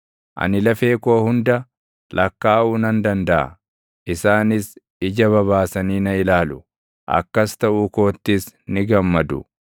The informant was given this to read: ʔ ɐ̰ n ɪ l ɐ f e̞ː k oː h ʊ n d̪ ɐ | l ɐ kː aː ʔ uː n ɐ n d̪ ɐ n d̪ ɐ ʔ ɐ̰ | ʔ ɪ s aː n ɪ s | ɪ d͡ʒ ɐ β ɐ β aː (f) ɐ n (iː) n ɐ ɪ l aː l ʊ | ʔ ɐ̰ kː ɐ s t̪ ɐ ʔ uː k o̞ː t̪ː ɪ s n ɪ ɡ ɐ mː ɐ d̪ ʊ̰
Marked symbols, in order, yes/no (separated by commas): no, yes